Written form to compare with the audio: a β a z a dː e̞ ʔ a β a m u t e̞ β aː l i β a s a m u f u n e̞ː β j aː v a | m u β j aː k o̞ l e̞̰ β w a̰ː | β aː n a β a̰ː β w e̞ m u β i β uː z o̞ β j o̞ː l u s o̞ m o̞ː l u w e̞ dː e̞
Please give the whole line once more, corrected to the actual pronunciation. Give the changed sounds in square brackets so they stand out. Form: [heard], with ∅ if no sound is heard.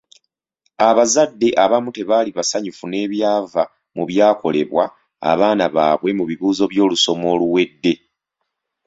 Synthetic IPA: a β a z a dː e̞ ʔ a β a m u t e̞ β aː l i β a s a [ɲ] u f u n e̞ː β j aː v a | m u β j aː k o̞ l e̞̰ β w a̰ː | β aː n a β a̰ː β w e̞ m u β i β uː z o̞ β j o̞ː l u s o̞ m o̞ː l u w e̞ dː e̞